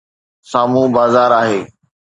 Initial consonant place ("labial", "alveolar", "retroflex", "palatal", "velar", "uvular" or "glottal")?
alveolar